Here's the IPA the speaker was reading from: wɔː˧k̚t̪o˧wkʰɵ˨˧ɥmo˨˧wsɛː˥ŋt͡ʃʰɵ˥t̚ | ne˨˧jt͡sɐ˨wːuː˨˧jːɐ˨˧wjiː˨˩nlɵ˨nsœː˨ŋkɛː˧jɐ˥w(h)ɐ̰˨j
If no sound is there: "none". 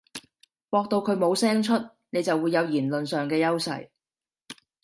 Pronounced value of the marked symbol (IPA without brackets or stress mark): s